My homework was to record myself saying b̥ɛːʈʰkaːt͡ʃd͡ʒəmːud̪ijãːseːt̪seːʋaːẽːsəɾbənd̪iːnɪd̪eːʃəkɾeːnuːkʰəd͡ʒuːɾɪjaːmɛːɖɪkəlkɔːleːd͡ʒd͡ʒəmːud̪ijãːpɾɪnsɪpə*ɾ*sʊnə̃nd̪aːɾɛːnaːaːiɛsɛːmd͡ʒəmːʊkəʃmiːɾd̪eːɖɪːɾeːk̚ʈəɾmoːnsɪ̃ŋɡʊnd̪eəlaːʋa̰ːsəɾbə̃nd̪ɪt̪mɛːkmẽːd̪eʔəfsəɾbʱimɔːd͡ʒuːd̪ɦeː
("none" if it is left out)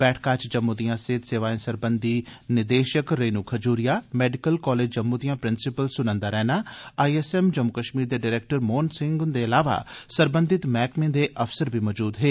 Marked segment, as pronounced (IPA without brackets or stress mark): l